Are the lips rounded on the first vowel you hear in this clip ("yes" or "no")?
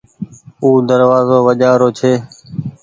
yes